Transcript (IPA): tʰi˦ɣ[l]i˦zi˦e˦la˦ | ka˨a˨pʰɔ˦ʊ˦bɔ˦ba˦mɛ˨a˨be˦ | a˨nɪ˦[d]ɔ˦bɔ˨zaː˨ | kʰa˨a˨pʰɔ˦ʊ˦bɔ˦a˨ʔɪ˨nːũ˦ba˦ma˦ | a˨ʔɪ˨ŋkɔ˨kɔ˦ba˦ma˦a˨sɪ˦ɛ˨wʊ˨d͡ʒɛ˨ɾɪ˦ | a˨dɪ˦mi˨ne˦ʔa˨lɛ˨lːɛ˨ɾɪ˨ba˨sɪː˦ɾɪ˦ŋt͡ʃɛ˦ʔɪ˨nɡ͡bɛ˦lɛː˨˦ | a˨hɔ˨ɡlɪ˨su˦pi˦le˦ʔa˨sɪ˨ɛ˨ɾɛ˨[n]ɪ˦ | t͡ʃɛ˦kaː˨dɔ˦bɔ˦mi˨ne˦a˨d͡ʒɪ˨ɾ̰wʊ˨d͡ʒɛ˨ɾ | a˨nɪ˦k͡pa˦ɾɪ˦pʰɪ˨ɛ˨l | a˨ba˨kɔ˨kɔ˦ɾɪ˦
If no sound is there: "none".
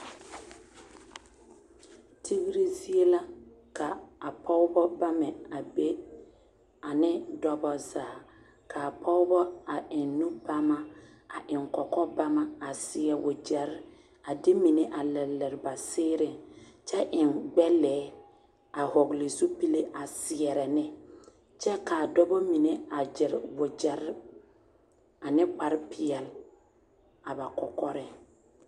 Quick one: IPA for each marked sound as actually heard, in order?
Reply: ɾ, d, n

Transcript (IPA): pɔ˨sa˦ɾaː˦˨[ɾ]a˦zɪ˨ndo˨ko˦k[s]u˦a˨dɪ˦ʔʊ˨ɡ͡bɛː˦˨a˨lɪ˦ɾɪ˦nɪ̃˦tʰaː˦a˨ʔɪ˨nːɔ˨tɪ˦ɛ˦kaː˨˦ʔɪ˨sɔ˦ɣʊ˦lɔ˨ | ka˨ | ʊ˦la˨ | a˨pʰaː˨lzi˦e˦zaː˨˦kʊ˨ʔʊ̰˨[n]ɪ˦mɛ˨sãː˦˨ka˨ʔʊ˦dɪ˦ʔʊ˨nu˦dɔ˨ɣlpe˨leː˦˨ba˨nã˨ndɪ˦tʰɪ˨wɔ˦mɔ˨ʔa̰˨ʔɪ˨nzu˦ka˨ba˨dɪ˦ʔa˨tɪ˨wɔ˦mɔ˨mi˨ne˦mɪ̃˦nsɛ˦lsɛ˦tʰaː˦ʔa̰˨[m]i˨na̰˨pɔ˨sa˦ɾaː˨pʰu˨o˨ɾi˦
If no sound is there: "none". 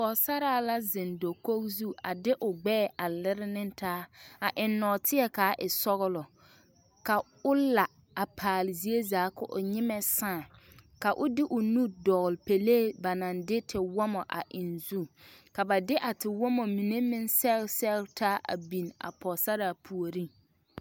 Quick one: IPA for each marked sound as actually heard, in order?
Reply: l, z, ɲ, b

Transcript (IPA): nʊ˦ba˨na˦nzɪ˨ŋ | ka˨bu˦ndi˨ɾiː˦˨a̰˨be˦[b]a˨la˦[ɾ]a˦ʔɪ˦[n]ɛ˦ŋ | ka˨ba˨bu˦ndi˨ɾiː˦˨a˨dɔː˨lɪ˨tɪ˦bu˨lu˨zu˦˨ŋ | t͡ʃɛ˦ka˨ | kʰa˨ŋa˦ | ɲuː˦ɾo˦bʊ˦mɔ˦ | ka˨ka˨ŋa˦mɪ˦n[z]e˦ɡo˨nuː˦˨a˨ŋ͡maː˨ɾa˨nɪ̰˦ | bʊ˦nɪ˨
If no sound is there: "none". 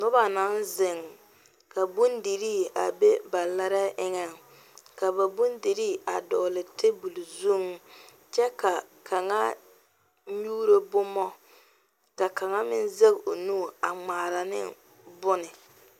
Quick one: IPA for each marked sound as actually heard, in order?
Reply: b, ɾ, ŋ, z

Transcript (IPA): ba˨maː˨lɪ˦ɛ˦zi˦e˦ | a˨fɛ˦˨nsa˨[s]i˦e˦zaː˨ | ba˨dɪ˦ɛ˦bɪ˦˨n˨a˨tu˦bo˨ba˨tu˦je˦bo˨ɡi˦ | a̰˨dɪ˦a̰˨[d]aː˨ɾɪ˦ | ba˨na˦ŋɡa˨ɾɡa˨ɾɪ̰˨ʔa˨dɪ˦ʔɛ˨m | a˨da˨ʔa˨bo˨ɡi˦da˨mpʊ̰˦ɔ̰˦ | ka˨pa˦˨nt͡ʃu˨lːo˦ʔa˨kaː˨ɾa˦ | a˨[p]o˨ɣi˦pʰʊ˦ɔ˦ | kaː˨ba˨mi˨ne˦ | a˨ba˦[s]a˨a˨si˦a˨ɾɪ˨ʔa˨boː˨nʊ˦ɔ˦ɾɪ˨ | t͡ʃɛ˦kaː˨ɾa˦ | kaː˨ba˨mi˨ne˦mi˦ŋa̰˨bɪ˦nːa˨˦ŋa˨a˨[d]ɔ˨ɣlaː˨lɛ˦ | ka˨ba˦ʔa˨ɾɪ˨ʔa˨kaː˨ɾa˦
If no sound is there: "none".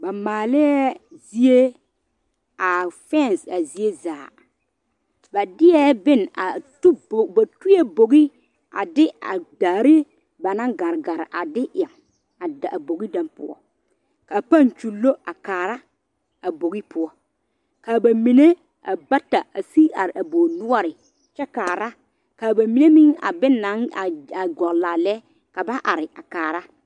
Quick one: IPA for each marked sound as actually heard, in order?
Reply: z, d, b, t, ɡ

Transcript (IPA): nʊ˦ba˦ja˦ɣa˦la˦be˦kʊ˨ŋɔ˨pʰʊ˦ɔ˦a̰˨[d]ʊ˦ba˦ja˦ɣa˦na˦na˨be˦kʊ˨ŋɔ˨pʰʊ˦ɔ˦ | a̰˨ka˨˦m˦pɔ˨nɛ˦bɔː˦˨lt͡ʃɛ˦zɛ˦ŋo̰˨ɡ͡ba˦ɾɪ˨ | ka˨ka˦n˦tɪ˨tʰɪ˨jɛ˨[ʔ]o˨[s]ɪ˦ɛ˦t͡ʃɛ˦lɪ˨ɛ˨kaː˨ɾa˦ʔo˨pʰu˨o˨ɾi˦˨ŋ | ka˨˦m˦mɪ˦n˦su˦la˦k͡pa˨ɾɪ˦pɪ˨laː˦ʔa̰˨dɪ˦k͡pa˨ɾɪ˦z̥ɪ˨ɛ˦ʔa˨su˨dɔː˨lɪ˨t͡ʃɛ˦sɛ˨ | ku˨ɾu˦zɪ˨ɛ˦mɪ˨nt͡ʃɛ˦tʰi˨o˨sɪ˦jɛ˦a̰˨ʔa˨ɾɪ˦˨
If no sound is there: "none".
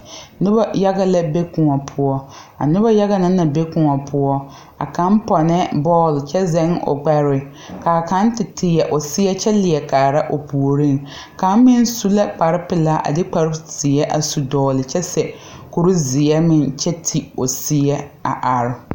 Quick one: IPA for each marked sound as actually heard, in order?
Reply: n, ʔ, s

